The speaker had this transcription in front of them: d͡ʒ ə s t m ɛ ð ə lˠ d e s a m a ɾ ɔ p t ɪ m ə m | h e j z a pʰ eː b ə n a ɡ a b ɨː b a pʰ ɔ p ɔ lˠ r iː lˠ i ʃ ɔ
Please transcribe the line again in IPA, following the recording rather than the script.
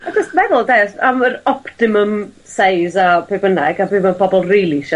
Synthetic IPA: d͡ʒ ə s t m ɛ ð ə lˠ d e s a m ə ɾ ɔ p t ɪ m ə m | s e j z a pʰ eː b ə n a ɡ a b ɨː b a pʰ ɔ b ɔ lˠ r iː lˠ i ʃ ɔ